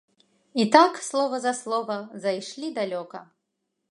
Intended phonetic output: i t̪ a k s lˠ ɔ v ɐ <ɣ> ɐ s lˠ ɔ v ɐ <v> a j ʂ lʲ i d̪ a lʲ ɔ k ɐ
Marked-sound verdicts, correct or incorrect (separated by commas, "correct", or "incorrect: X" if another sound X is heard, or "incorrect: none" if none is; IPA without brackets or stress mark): incorrect: z, incorrect: z